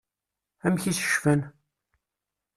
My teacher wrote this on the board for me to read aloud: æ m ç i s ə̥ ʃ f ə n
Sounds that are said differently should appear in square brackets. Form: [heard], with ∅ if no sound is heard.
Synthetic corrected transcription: æ m ç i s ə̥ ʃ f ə n

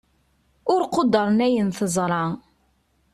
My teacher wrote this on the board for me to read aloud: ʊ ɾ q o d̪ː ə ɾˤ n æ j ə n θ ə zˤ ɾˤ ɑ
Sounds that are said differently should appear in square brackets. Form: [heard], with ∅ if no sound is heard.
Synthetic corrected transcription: ʊ ɾ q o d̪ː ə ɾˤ n æ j ə n θ ə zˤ ɾˤ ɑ

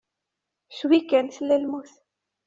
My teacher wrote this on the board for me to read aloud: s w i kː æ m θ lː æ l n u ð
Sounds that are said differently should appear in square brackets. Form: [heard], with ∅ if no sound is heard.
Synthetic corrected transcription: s w i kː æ [n] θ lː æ l [m] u [θ]

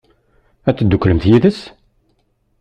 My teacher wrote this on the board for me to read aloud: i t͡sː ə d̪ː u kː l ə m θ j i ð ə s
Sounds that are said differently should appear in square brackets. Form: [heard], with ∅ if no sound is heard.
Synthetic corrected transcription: [æ] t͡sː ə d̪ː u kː l ə m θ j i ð ə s

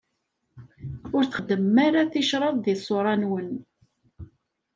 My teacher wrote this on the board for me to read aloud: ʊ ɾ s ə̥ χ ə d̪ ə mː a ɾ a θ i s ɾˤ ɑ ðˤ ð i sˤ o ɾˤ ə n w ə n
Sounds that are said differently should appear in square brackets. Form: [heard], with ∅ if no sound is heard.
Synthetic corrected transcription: ʊ ɾ [θ] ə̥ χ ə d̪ ə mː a ɾ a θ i [ʃ] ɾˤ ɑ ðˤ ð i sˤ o ɾˤ [ɑ] n w ə n

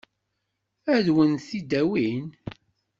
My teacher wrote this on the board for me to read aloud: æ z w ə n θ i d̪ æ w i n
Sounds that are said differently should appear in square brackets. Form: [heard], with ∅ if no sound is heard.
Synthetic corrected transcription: æ [ð] w ə n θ i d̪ æ w i n

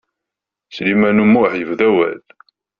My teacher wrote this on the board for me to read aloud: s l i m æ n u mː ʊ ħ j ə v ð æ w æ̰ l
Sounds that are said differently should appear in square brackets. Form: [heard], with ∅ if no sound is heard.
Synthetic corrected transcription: s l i m æ n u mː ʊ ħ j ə v ð æ w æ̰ l

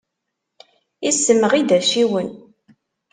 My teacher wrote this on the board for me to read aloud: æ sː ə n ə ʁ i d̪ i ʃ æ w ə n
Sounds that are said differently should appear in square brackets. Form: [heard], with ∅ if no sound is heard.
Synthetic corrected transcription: [i] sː ə [m] ə ʁ i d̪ [æ] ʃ [i] w ə n

